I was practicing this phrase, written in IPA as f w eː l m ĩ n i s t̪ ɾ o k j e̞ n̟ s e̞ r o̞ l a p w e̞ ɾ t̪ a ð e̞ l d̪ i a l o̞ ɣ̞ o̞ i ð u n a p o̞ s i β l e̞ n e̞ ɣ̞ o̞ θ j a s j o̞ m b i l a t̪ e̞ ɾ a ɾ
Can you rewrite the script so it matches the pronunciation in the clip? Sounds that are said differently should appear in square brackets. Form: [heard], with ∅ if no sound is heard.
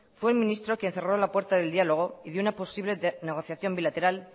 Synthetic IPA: f w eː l m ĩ n i s t̪ ɾ o k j e̞ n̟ [θ] e̞ r o̞ l a p w e̞ ɾ t̪ a ð e̞ l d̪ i a l o̞ ɣ̞ o̞ i ð u n a p o̞ s i β l e̞ n e̞ ɣ̞ o̞ θ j a [θ] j o̞ m b i l a t̪ e̞ ɾ a [l]